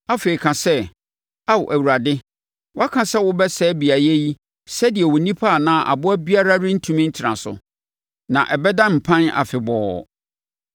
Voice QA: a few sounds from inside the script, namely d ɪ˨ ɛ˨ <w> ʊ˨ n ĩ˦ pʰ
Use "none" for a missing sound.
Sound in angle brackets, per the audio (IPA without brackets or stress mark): w